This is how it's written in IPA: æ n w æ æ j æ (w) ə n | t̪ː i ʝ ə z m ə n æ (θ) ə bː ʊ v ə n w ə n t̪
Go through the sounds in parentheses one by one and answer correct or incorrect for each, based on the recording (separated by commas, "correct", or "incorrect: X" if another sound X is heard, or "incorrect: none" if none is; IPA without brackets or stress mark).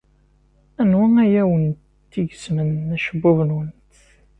correct, incorrect: ʃ